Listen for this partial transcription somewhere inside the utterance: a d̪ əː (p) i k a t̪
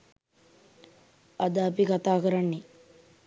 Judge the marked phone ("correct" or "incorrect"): correct